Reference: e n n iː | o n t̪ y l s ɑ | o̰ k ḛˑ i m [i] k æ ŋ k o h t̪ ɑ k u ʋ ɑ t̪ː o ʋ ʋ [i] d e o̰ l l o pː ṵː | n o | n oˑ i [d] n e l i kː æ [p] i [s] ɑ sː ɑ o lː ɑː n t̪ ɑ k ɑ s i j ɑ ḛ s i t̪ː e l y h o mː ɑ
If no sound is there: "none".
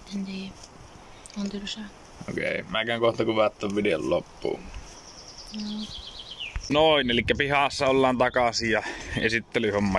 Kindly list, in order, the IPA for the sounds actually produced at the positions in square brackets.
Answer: æ, i, none, p, h

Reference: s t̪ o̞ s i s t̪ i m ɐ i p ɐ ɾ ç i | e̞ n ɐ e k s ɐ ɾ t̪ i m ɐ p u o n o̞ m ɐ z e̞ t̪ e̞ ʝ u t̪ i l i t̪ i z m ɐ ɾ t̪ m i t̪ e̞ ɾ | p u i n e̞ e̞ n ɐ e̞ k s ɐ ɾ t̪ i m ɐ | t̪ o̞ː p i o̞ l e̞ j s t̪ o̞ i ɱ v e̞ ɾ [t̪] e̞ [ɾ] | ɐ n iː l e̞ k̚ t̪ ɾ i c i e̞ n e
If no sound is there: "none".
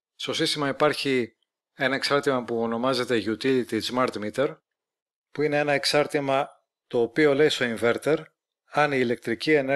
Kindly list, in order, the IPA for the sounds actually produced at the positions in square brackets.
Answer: t̪, ɾ

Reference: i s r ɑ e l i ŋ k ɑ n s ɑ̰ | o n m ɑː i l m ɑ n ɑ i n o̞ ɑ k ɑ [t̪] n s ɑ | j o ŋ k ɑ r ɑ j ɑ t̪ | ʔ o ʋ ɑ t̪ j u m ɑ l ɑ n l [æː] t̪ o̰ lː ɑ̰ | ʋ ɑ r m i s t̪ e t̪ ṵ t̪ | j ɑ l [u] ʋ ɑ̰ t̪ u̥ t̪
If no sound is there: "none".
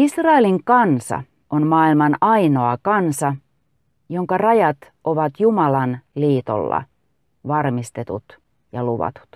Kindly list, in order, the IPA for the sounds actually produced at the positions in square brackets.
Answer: none, iː, u

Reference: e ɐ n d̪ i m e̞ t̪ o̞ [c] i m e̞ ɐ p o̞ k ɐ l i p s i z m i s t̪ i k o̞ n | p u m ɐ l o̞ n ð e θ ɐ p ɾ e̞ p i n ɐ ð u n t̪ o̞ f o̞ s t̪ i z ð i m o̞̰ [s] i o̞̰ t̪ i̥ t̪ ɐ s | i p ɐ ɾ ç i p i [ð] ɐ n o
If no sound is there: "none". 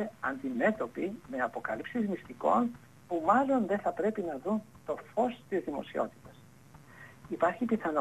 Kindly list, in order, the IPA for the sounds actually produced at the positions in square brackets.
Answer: p, s, θ

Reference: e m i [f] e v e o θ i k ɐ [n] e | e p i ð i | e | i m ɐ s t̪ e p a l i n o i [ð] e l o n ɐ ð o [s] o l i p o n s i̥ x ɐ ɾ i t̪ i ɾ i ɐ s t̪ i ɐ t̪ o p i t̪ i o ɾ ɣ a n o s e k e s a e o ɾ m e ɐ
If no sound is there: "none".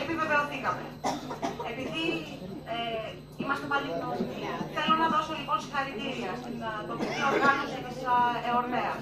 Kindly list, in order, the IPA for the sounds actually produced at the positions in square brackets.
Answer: v, m, θ, s

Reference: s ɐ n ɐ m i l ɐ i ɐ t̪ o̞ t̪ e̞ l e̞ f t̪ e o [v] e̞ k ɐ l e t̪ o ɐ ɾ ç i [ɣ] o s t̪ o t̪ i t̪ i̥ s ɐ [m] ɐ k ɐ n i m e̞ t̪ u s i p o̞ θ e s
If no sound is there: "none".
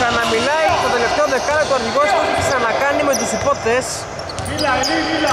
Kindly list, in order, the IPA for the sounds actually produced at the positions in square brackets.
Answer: ð, ɣ, n

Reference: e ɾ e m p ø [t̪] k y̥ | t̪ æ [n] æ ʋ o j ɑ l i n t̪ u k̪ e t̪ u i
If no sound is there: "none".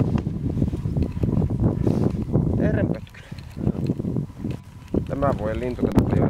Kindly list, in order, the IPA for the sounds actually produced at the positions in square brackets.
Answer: t̪, m

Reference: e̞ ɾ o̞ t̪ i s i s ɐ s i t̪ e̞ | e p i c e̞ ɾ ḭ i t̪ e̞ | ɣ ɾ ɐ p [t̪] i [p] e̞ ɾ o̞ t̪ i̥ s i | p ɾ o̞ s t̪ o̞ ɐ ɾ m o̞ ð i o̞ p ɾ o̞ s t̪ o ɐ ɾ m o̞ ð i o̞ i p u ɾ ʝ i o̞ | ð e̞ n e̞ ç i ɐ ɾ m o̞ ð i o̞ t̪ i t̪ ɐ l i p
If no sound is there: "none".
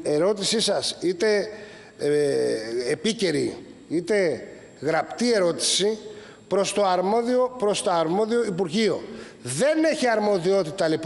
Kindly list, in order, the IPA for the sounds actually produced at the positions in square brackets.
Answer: t̪, none

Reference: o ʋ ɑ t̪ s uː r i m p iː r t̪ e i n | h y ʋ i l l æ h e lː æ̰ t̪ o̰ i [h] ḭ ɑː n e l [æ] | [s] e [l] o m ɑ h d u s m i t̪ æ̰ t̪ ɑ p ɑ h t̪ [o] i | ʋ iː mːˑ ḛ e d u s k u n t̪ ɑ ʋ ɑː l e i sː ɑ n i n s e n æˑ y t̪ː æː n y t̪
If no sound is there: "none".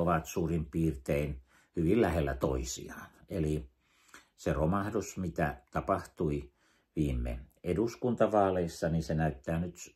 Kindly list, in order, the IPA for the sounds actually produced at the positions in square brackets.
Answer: s, i, s, r, u

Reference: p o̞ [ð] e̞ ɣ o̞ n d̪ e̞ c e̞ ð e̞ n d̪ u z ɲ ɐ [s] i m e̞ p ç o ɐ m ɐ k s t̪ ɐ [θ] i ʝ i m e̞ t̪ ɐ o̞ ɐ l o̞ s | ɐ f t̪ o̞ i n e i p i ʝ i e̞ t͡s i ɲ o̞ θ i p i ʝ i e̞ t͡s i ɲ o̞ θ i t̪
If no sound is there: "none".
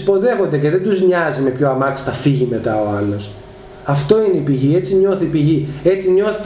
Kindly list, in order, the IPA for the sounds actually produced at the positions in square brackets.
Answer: ð, z, f

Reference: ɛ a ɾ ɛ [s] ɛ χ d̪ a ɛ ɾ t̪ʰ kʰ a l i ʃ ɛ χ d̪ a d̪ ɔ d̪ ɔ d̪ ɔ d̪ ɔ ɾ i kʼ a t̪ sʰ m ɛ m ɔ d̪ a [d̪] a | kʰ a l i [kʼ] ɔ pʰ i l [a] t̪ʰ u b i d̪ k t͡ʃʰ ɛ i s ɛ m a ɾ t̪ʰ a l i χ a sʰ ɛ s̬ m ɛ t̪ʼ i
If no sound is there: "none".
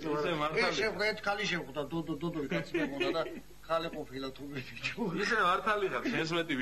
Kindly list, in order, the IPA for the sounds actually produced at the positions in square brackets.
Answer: ʃ, d̪, qʼ, a

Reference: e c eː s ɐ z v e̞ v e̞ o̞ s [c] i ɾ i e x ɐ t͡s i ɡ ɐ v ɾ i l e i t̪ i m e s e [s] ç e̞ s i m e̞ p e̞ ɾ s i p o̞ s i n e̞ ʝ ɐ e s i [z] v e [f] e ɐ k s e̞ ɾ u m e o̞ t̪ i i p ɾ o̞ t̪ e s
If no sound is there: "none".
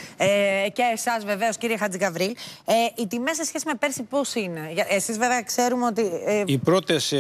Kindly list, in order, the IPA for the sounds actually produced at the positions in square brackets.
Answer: c, s, z, v

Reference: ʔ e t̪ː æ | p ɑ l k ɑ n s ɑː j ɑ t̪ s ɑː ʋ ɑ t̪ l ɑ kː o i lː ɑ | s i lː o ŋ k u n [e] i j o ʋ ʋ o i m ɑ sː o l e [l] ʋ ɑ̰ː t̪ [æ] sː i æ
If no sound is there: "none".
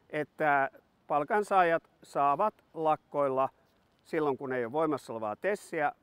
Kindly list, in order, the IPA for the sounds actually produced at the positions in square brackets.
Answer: e, none, e

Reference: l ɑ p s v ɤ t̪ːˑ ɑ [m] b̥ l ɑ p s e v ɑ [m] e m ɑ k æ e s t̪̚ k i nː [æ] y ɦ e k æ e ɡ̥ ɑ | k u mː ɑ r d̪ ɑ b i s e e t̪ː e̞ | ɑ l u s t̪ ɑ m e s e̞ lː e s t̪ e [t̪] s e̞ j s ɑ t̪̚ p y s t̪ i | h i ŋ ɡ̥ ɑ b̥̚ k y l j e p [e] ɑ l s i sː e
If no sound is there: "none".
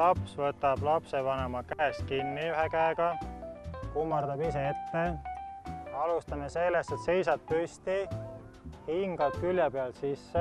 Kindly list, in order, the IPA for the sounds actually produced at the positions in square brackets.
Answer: none, n, i, t̪, e

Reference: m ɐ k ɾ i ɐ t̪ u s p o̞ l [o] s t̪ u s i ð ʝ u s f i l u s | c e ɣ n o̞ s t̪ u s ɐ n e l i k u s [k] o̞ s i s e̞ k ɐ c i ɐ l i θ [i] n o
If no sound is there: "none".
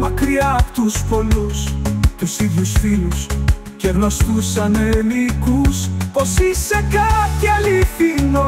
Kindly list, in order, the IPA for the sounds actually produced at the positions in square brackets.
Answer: u, p, i

